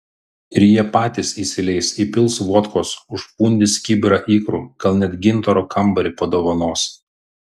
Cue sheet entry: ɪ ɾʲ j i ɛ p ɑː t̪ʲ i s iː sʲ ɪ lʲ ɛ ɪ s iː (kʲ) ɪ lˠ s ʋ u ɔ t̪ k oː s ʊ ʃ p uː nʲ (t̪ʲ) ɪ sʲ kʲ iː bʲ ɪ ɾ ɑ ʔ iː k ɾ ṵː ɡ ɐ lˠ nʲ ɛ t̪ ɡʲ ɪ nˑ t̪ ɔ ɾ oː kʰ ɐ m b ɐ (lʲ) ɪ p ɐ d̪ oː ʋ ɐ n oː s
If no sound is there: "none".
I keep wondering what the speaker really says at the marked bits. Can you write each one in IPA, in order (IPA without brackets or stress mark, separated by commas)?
pʲ, d̪ʲ, ɾʲ